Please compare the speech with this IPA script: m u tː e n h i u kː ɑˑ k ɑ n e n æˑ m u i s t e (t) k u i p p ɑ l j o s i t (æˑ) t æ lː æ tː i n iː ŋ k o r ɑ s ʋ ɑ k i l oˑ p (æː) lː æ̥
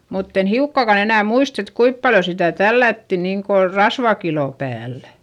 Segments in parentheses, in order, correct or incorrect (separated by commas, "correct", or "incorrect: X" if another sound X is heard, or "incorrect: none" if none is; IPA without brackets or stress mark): correct, correct, correct